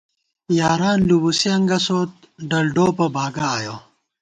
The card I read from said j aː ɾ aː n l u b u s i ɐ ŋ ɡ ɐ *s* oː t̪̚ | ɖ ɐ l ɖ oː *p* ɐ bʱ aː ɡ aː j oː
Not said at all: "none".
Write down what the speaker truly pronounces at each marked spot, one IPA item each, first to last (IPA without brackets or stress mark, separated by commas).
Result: s, p